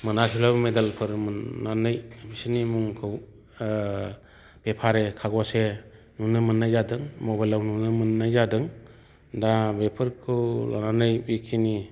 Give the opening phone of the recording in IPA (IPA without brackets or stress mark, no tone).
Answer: m